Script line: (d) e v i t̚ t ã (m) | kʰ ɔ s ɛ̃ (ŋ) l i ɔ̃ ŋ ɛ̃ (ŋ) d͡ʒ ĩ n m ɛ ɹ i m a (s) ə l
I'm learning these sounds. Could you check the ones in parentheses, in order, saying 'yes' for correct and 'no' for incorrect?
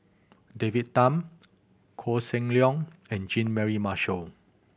yes, yes, yes, no, no

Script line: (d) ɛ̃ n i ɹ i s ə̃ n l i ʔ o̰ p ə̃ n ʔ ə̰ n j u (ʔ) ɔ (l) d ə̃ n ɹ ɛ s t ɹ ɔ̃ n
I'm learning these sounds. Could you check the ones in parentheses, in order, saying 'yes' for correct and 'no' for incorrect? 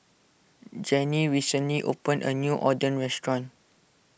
no, yes, no

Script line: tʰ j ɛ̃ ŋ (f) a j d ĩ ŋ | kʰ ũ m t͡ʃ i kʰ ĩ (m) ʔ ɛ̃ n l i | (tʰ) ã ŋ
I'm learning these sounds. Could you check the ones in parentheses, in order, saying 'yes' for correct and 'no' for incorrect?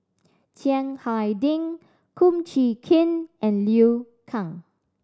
no, no, no

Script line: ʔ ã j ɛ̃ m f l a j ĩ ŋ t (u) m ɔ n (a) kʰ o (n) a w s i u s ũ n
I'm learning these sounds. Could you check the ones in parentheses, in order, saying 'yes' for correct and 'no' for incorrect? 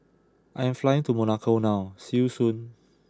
yes, yes, yes

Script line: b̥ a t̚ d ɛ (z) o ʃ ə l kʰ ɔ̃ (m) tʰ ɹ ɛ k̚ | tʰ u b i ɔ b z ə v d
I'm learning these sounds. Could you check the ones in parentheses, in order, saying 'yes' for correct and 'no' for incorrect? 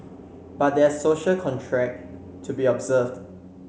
no, no

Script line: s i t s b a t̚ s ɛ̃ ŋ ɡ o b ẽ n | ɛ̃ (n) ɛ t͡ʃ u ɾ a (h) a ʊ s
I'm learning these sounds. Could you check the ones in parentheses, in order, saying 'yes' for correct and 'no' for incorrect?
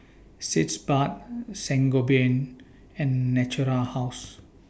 no, yes

